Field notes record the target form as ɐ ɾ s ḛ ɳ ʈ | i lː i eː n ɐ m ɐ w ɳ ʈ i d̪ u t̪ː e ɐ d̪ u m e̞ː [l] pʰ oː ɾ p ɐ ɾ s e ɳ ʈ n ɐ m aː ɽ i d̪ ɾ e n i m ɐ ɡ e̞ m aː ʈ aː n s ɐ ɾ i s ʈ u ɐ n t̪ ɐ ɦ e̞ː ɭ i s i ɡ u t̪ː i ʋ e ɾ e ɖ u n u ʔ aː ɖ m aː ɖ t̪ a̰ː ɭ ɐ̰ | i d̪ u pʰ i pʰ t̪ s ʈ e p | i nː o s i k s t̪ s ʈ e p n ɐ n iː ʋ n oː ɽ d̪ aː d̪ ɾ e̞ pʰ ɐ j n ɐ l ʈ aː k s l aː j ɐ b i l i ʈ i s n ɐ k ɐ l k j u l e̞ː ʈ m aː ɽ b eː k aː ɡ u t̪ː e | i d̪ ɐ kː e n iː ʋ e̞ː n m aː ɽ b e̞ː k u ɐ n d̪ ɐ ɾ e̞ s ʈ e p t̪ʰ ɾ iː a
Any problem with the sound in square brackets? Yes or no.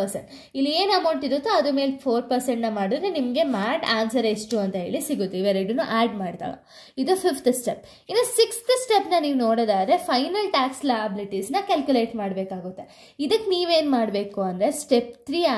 no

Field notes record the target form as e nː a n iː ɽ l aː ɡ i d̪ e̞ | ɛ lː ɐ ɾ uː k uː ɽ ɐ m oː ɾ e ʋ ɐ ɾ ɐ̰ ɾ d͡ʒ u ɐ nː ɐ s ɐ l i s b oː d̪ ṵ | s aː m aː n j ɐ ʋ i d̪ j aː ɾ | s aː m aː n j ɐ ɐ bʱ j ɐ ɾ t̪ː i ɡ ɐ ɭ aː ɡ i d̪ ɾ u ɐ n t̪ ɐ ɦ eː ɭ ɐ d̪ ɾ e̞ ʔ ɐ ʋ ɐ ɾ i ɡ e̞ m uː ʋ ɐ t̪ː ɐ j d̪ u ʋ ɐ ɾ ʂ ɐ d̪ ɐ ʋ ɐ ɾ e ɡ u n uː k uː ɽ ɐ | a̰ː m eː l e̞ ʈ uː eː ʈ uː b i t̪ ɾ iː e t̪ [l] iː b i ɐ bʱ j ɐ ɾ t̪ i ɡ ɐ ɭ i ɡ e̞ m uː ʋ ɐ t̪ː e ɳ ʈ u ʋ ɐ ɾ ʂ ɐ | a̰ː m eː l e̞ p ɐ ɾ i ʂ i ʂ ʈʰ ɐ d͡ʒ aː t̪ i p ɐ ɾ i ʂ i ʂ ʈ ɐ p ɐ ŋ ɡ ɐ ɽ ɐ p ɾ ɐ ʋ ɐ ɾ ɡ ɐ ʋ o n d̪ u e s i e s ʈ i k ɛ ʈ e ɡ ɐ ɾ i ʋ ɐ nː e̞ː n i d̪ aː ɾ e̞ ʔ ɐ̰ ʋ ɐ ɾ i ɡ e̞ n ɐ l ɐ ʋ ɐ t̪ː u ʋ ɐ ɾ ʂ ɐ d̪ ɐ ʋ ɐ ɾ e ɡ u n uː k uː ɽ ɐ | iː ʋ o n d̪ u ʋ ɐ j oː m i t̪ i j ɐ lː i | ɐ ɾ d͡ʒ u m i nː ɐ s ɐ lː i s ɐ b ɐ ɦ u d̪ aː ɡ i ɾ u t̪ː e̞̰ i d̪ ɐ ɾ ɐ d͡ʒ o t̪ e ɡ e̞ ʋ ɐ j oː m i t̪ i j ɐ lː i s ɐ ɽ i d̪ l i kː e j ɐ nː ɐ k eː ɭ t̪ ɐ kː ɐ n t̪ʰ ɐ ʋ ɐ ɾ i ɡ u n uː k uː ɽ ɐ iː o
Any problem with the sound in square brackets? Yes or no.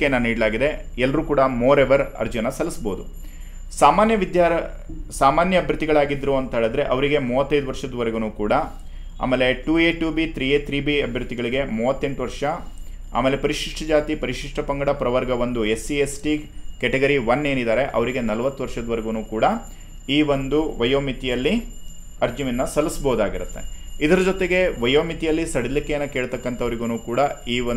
yes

